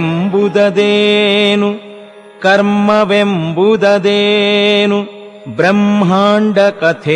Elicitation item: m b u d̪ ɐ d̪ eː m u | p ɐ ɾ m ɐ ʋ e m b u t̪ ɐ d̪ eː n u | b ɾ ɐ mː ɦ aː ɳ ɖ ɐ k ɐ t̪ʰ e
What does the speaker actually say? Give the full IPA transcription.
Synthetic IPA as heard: m b u d̪ ɐ d̪ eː n u | k ɐ ɾ m ɐ ʋ e m b u d̪ ɐ d̪ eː n u | b ɾ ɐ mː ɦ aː ɳ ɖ ɐ k ɐ t̪ʰ e